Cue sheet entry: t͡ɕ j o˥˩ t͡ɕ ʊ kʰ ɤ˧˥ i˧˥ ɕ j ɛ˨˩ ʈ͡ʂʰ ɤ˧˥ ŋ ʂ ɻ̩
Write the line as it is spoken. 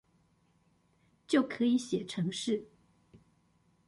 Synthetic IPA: t͡ɕ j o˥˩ ʊ kʰ ɤ˧˥ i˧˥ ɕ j ɛ˨˩ ʈ͡ʂʰ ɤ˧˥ ŋ ʂ ɻ̩